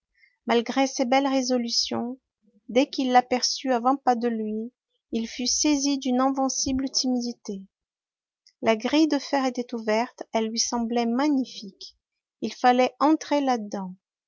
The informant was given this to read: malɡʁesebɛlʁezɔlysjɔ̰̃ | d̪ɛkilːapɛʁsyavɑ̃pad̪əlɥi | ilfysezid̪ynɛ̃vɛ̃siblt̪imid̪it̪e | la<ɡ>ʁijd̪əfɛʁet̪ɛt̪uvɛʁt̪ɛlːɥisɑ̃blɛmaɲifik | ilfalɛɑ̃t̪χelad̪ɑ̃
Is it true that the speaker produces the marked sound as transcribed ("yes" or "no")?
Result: yes